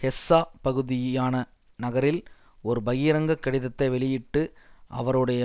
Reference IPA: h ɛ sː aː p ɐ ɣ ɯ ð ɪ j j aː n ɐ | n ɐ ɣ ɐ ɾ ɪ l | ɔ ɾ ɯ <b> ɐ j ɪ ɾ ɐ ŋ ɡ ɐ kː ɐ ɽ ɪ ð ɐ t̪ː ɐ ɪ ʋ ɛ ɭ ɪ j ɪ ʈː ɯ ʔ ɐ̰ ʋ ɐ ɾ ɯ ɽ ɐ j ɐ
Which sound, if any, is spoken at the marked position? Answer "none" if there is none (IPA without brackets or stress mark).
b